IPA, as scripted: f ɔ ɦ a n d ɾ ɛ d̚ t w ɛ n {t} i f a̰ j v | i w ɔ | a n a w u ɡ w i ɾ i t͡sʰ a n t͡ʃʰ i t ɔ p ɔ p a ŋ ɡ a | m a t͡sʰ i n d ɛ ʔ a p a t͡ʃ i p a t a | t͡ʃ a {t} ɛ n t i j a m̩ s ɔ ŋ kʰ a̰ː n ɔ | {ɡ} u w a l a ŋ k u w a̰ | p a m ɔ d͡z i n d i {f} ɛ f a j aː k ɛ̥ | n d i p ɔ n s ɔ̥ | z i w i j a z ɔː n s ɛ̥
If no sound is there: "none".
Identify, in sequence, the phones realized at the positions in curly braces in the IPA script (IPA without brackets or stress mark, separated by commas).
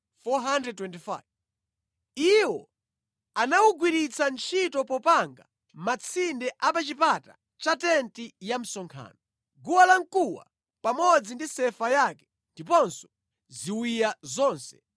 t, t, ɡ, s